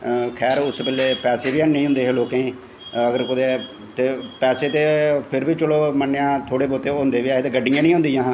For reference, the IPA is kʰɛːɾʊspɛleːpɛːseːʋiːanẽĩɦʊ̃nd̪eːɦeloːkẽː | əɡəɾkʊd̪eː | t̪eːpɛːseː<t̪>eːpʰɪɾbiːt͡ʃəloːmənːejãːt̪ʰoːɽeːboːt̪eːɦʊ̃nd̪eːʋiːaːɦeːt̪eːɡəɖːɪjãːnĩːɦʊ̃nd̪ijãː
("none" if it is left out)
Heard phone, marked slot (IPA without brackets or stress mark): t̪